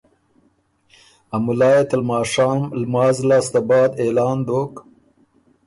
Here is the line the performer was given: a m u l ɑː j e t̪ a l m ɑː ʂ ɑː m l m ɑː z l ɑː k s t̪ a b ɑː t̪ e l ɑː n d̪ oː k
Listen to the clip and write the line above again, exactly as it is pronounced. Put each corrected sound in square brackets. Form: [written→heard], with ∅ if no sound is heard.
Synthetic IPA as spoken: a m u l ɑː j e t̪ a l m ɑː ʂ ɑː m l m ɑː z l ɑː [k→∅] s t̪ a b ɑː [t̪→d̪] e l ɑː n d̪ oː k